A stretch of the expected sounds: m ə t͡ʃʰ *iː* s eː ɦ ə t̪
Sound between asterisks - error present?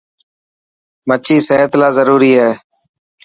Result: no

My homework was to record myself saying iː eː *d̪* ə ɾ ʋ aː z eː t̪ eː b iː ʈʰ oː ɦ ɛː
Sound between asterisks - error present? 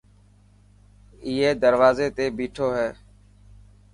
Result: no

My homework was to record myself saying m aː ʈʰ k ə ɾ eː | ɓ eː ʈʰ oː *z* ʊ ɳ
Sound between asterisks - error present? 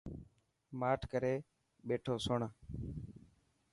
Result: yes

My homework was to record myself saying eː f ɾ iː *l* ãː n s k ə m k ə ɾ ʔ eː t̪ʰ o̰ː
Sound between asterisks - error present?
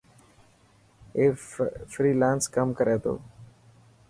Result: no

